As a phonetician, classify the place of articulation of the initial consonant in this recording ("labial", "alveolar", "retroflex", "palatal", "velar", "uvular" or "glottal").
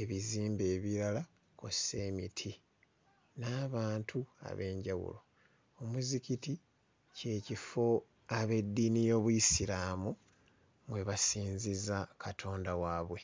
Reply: labial